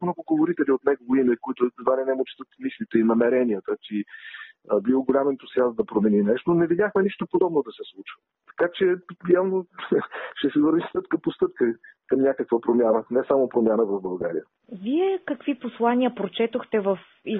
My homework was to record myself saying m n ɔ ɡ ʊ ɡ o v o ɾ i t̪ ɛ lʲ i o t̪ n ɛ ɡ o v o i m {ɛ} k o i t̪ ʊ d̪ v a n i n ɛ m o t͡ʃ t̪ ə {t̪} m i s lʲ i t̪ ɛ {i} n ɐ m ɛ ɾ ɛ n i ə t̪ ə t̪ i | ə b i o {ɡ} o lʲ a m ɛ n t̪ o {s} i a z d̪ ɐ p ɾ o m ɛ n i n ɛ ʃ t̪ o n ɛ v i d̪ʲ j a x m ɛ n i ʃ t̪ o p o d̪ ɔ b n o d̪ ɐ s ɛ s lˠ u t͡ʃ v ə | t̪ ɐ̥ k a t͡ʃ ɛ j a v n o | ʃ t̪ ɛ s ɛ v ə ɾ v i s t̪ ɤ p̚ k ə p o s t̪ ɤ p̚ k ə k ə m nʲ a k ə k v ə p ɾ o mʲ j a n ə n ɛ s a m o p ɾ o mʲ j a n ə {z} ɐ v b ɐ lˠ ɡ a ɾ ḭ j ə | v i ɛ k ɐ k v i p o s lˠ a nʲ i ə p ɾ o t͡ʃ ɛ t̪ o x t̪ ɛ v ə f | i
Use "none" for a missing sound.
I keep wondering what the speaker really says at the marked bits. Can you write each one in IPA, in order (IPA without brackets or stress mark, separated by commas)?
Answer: ɛ, t̪, i, ɡ, s, v